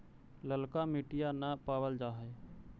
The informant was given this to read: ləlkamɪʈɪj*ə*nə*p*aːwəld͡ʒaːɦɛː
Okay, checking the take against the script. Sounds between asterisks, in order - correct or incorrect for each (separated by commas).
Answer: incorrect, correct